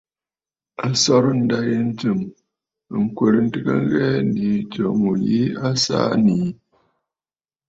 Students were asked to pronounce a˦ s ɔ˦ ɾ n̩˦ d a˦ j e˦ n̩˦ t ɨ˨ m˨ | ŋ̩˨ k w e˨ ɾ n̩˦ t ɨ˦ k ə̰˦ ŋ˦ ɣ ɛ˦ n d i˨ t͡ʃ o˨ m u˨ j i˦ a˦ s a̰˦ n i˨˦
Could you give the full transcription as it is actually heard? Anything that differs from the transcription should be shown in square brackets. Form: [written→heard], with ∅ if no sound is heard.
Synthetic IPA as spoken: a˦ s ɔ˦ ɾ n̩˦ d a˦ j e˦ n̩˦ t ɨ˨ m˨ | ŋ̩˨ k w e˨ ɾ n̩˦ t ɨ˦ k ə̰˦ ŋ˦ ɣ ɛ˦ n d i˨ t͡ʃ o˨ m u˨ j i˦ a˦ s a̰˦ n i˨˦